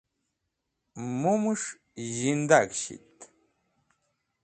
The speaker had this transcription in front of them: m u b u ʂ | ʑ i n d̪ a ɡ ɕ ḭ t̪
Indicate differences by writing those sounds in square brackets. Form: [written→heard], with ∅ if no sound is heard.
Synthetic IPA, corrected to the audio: m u [b→m] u ʂ | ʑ i n d̪ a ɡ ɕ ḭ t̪